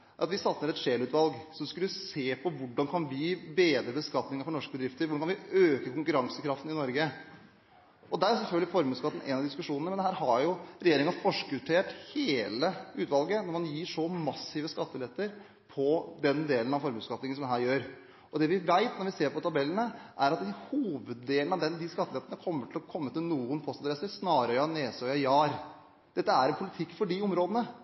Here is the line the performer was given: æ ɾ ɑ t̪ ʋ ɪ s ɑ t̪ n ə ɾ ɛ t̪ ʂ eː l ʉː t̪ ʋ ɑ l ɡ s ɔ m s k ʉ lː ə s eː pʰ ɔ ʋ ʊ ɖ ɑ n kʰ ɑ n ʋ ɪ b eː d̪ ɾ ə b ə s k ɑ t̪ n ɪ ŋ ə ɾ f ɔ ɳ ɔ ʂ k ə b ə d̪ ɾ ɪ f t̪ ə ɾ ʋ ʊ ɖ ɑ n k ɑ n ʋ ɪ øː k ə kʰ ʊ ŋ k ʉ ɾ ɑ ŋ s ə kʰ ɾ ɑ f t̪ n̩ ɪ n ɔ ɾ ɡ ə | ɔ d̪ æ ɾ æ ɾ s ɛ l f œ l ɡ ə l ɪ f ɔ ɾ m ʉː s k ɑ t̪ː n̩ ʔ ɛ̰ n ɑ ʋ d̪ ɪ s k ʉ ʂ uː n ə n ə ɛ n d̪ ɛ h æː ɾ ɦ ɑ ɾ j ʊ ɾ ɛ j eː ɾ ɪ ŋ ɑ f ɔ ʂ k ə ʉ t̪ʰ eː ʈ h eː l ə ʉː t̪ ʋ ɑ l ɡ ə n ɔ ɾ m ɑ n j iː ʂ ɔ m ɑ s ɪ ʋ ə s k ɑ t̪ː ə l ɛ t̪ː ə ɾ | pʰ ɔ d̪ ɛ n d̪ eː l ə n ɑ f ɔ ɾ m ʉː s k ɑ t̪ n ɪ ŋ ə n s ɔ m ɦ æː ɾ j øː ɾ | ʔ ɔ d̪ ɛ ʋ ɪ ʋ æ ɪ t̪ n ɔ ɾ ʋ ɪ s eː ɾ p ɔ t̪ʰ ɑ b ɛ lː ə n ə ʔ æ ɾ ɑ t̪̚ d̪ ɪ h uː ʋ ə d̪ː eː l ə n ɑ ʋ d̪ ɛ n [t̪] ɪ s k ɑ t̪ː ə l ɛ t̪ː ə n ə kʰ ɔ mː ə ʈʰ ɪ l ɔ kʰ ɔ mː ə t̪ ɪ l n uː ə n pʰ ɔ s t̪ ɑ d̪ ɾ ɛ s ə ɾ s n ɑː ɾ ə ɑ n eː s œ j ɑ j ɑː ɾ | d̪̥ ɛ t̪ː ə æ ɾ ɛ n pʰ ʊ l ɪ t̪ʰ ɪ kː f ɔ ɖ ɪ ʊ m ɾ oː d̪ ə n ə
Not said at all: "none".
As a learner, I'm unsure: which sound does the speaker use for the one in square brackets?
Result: d̪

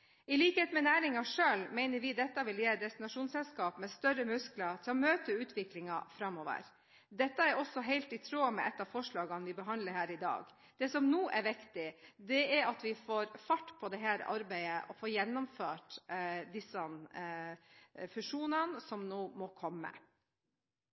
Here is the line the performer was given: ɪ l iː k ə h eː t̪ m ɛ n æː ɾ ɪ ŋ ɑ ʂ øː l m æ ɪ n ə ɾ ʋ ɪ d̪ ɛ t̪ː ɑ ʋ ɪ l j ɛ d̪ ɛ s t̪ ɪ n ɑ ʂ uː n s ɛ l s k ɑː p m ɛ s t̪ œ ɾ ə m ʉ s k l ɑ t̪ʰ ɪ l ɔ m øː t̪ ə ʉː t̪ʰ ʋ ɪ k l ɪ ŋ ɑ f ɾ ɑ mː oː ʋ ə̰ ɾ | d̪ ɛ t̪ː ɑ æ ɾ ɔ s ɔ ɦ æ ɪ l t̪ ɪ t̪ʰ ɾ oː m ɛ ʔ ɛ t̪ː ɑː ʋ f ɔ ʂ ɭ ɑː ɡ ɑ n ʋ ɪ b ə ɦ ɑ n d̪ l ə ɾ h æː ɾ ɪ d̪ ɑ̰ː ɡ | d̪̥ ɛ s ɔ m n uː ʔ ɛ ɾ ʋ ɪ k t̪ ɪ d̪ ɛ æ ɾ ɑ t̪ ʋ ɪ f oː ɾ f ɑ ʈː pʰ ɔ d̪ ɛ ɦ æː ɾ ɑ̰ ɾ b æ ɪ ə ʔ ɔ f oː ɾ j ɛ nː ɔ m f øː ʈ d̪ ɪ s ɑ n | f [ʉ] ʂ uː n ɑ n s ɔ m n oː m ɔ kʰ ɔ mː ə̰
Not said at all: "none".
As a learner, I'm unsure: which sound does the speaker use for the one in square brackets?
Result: ʉ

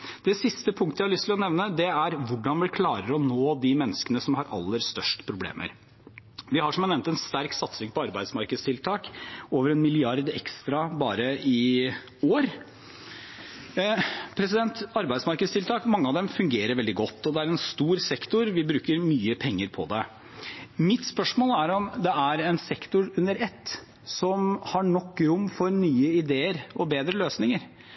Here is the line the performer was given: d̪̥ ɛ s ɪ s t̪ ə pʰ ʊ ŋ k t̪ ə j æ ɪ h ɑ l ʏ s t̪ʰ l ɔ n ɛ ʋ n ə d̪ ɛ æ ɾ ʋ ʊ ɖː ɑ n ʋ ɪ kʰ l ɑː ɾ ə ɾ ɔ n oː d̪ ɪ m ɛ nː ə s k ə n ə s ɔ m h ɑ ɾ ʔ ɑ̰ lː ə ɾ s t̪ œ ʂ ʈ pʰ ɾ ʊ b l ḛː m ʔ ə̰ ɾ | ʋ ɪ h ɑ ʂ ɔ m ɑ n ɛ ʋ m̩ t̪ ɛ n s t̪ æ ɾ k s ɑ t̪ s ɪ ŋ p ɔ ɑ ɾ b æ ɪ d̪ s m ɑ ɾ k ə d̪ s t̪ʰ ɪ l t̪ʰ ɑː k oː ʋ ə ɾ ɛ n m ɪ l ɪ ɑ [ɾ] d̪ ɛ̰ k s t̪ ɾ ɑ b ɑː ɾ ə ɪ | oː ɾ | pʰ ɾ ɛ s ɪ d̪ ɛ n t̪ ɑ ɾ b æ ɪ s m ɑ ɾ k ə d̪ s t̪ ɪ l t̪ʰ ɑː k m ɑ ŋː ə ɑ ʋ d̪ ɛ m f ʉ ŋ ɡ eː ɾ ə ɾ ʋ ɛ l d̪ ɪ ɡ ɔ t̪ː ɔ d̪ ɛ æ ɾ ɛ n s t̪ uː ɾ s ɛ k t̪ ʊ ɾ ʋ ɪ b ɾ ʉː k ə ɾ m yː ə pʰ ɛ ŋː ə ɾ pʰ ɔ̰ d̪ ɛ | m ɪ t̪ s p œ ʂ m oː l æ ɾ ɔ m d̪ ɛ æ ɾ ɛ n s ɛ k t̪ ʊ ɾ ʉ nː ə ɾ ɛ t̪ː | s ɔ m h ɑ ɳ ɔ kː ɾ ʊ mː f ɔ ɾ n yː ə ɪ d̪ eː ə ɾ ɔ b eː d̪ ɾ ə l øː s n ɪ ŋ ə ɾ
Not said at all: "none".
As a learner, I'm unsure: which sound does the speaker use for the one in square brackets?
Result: ɾ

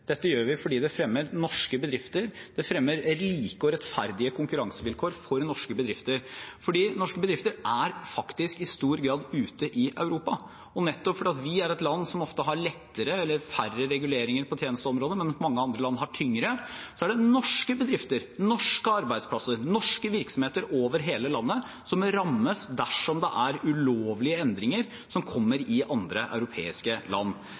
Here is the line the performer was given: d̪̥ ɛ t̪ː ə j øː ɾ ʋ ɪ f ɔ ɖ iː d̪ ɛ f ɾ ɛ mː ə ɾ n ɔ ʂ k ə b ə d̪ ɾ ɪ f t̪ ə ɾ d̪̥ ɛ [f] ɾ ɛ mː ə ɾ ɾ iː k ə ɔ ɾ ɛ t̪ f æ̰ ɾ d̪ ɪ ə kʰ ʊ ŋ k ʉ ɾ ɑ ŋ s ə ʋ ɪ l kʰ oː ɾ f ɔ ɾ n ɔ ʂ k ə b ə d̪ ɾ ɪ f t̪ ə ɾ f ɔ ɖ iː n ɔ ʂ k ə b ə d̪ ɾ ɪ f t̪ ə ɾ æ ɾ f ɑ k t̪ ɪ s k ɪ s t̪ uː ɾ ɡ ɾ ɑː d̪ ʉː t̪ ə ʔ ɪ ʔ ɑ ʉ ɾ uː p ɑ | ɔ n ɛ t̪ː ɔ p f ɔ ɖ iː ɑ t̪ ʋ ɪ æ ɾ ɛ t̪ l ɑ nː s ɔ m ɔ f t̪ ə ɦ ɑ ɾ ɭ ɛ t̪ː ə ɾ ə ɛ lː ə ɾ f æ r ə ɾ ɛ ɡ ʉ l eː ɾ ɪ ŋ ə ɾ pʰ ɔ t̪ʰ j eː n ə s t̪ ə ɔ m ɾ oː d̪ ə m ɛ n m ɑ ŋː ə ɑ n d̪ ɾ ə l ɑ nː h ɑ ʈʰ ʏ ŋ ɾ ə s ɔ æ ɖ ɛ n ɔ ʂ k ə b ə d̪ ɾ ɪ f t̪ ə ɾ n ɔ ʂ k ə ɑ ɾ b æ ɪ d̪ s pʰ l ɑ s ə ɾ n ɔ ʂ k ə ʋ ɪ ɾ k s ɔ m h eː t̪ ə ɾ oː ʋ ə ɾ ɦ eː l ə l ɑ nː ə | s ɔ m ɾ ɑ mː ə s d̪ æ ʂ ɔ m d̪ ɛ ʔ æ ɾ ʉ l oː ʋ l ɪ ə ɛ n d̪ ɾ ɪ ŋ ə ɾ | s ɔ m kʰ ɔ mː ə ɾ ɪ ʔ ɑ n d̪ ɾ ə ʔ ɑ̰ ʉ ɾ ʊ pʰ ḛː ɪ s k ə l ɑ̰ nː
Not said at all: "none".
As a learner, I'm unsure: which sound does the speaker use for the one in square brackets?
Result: f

